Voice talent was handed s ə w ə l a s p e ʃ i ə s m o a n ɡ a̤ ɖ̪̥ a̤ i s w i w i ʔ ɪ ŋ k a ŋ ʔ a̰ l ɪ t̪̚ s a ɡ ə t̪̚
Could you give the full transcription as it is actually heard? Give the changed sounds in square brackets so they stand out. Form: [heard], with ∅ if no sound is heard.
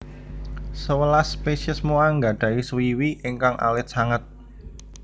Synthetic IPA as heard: s ə w ə l a s p e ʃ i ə s m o a [ŋ] ɡ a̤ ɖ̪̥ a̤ i s w i w i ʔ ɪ ŋ k a ŋ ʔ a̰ l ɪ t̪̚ s a [ŋ] ə t̪̚

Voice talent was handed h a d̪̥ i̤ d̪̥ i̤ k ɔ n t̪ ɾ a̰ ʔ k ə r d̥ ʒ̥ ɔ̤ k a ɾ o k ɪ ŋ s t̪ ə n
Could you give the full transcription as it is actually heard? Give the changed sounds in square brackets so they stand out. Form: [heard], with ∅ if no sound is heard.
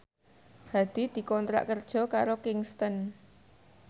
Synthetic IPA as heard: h a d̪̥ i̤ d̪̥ i̤ k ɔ n t̪ ɾ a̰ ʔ k ə r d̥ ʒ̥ ɔ̤ k a ɾ o k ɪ ŋ s t̪ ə n

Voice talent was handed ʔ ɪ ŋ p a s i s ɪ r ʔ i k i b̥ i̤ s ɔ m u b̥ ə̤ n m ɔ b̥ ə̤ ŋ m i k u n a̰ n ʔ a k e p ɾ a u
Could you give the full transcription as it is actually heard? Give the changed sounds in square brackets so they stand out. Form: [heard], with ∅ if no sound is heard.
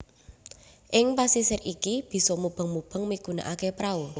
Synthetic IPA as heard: ʔ ɪ ŋ p a s i s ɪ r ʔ i k i b̥ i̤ s ɔ m u b̥ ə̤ [ŋ] m [u] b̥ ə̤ ŋ m i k u n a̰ [∅] ʔ a k e p ɾ a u

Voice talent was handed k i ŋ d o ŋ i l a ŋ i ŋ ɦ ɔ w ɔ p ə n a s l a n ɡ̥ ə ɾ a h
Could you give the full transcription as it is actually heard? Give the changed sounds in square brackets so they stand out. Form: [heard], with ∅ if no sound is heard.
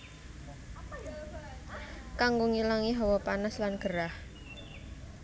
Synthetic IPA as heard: k [a] ŋ [ɡ] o ŋ i l a ŋ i [∅] ɦ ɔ w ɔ p [a] n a s l a n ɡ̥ ə ɾ a h

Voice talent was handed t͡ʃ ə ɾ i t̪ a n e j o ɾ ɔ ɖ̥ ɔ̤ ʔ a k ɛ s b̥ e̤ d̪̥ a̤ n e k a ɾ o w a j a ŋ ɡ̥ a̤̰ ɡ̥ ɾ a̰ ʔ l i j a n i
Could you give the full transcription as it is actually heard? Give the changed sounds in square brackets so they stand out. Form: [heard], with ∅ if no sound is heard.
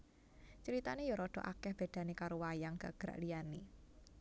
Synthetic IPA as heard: t͡ʃ ə ɾ i t̪ a n e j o ɾ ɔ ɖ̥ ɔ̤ ʔ a k ɛ [h] b̥ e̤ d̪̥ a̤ n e k a ɾ o w a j a ŋ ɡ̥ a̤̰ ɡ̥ ɾ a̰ ʔ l i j a n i

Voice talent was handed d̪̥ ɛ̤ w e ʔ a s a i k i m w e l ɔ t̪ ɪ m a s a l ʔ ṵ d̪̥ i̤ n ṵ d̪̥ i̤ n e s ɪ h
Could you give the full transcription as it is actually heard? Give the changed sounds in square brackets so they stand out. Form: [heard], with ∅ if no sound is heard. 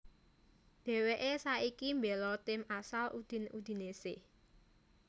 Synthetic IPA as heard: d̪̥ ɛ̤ w e ʔ [e] s a i k i m [b] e l ɔ t̪ ɪ m a s a l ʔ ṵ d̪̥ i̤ n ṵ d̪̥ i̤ n e s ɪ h

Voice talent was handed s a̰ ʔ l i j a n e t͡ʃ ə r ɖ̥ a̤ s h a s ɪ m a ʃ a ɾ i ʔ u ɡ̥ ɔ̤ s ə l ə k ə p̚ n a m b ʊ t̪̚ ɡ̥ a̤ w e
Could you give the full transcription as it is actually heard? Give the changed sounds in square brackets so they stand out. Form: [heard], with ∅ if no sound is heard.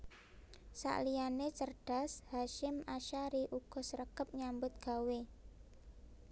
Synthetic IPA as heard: s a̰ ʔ l i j a n e t͡ʃ ə r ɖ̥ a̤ s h a [ʃ] ɪ m a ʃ a ɾ i ʔ u ɡ̥ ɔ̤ s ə [ɾ] ə k ə p̚ [ɲ] a m b ʊ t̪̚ ɡ̥ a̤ w e

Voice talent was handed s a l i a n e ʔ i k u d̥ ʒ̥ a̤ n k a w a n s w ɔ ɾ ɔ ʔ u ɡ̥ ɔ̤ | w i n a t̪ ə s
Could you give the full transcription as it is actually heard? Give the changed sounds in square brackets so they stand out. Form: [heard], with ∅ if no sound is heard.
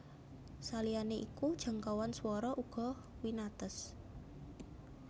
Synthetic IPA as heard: s a l i a n e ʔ i k u d̥ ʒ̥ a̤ [ŋ] k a w a n s w ɔ ɾ ɔ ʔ u ɡ̥ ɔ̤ | w i n a t̪ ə s

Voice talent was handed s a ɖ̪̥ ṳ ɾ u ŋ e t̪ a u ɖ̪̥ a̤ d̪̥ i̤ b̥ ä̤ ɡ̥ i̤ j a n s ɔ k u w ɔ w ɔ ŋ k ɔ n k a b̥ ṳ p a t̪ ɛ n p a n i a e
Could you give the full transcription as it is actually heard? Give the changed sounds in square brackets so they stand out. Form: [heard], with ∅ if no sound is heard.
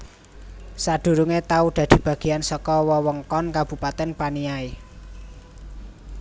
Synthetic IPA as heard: s a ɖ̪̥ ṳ ɾ u ŋ e t̪ a u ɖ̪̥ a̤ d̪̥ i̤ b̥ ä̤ ɡ̥ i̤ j a n s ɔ k [ɔ] w ɔ w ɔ ŋ k ɔ n k a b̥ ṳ p a t̪ ɛ n p a n i a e

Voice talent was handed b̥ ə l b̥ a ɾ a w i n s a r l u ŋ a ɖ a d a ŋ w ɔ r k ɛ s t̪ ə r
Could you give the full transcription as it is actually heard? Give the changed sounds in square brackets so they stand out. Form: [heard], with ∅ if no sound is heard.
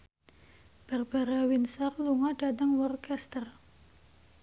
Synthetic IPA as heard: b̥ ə [r] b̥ a ɾ a w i n s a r l u ŋ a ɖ a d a ŋ w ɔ r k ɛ s t̪ ə r

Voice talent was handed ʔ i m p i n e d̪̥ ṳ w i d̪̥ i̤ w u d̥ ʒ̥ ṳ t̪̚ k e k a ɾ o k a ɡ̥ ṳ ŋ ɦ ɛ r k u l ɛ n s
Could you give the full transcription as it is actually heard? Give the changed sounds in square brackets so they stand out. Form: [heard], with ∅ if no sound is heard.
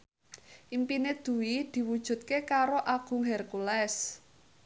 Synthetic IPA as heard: ʔ i m p i n e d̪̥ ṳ w i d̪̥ i̤ w u d̥ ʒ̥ ṳ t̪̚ k e k a ɾ o [ʔ] a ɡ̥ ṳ ŋ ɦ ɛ r k u l ɛ [∅] s

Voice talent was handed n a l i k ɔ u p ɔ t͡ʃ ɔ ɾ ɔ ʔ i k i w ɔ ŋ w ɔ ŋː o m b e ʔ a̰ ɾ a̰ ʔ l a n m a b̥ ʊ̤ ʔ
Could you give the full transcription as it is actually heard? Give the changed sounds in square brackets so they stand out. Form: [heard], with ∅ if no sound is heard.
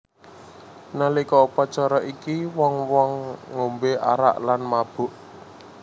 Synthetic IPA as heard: n a l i k ɔ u p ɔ t͡ʃ ɔ ɾ ɔ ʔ i k i w ɔ ŋ w ɔ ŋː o m b e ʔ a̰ ɾ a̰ ʔ l a n m a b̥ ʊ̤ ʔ

